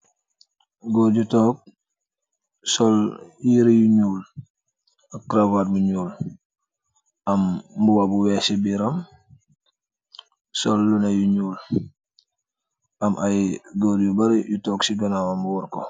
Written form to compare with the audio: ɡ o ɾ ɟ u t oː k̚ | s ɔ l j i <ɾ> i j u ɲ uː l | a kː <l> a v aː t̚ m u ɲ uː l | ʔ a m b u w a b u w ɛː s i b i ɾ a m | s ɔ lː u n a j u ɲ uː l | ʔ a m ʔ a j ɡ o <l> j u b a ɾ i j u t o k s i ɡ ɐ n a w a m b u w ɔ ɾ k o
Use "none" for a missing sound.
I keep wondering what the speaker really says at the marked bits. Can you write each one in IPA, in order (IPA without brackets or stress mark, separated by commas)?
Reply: ɾ, ɾ, ɾ